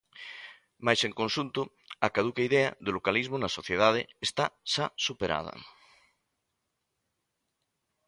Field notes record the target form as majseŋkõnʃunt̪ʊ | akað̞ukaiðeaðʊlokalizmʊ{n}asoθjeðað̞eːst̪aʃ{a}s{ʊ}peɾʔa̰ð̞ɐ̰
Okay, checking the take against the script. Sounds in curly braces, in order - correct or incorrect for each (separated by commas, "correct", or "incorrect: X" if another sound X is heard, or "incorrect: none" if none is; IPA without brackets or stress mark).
correct, correct, incorrect: u